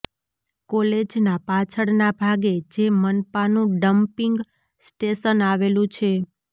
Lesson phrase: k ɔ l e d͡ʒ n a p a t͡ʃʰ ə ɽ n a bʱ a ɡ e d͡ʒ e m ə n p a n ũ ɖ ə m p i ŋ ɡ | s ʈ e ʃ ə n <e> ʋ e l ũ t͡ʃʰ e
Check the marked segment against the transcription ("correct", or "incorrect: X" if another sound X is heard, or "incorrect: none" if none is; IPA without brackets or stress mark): incorrect: a